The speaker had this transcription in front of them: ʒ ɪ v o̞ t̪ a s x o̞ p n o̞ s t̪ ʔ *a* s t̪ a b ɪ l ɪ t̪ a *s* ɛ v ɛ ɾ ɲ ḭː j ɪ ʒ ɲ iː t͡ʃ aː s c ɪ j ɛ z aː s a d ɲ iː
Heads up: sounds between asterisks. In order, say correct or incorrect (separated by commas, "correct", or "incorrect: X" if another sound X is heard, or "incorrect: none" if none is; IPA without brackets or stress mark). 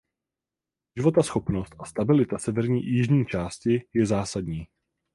correct, correct